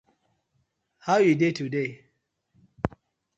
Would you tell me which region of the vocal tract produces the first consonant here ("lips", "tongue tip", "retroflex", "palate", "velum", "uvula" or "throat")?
throat